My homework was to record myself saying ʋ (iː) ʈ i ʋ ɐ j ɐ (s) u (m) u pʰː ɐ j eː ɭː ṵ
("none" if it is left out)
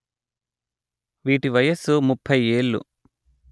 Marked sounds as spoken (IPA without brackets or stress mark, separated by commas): iː, s, m